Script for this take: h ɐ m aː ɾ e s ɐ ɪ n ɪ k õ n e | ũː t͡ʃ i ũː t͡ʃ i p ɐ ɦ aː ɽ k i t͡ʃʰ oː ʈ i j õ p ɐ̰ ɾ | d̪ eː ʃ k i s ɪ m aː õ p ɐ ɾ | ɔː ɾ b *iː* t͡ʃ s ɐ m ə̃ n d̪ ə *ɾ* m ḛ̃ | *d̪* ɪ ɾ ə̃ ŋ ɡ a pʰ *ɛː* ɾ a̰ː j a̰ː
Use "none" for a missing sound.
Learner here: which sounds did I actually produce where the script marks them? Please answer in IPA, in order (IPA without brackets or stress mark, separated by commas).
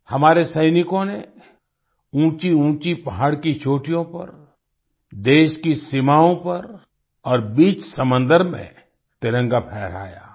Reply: iː, ɾ, t̪, ɛː